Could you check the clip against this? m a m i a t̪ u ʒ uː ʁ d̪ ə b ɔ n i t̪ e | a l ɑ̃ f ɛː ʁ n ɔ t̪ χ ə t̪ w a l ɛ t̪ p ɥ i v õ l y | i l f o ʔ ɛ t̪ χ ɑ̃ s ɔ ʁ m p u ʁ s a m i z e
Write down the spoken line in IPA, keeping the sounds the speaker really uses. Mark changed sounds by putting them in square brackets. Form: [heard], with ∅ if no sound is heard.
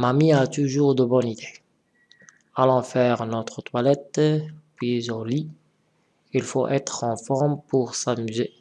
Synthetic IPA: m a m i a t̪ u ʒ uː ʁ d̪ ə b ɔ n i [d̪] e | a l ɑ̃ f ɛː ʁ n ɔ t̪ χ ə t̪ w a l ɛ t̪ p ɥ i [z] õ l [i] | i l f o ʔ ɛ t̪ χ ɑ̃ [f] ɔ ʁ m p u ʁ s a m [y] z e